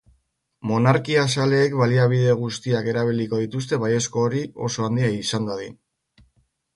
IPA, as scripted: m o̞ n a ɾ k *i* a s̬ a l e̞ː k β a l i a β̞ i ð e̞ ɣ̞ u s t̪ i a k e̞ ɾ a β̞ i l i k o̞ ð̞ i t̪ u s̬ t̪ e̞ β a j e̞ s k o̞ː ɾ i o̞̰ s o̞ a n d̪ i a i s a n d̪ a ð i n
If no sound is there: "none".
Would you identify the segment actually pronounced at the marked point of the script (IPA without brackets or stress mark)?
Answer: i